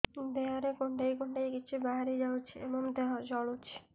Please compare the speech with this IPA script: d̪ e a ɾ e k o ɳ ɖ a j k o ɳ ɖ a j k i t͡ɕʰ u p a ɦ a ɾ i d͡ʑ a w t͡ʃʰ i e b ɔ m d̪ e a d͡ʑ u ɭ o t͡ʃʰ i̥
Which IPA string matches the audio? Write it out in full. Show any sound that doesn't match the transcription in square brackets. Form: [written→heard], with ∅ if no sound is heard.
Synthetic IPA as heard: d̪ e a ɾ e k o ɳ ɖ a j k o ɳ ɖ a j k i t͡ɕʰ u [p→b] a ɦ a ɾ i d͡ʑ a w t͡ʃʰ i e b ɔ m d̪ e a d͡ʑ [u→ɔ] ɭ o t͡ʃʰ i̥